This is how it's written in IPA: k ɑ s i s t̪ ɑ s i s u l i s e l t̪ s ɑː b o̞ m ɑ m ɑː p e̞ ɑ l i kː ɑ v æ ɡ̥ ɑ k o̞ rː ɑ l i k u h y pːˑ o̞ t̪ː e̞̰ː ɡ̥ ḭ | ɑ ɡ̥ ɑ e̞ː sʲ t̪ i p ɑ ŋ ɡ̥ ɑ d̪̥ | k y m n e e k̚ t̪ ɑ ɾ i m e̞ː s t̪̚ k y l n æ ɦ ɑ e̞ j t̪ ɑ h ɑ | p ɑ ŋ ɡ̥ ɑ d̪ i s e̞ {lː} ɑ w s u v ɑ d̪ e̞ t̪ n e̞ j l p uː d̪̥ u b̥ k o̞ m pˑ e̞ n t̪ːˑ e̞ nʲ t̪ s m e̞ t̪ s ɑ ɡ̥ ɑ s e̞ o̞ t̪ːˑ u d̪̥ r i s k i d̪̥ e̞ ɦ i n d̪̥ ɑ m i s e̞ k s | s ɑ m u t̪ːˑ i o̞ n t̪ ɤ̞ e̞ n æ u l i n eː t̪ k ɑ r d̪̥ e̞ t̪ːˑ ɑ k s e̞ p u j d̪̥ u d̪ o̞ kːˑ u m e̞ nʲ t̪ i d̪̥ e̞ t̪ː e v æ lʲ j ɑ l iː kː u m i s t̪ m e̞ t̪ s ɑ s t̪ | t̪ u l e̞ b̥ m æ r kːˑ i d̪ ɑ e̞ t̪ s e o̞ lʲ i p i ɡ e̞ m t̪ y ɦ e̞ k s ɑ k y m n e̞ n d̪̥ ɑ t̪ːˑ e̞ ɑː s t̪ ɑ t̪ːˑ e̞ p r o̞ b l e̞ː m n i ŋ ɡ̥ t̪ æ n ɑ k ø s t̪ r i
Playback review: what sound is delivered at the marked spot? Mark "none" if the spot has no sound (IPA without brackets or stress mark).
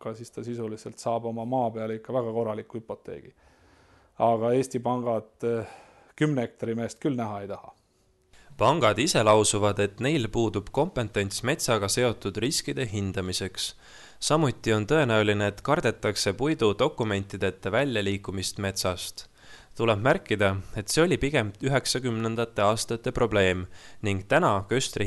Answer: l